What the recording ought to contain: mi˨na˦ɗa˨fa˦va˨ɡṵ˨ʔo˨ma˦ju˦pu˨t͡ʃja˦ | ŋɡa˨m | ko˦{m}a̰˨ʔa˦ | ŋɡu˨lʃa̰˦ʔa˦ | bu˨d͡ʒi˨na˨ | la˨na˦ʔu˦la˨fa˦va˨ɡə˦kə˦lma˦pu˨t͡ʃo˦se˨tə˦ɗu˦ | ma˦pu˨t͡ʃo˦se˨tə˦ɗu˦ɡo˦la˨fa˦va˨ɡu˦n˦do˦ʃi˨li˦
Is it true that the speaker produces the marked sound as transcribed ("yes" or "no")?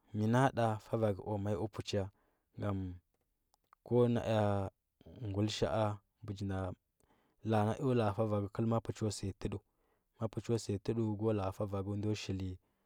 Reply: no